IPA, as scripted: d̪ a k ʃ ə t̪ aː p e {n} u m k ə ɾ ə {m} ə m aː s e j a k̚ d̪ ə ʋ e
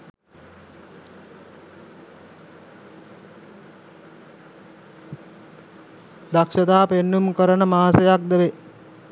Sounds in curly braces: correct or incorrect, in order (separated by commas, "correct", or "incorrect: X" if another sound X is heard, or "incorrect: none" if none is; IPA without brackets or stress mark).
incorrect: nː, incorrect: n